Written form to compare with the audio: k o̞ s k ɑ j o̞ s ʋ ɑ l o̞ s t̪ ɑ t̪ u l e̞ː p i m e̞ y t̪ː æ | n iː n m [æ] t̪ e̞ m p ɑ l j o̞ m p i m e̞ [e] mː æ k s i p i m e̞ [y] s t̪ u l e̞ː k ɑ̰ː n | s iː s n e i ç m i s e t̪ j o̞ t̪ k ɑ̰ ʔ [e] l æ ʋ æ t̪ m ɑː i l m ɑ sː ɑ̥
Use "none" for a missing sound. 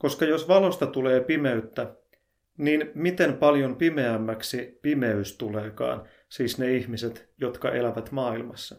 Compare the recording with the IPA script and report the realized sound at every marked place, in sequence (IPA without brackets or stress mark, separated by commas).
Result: i, æ, y, e